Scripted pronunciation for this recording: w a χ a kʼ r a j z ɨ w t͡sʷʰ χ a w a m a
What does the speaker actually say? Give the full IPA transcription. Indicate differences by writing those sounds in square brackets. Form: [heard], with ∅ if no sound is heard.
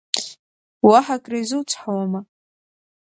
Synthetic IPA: w a [ħ] a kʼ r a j z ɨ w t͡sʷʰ [ħ] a w a m a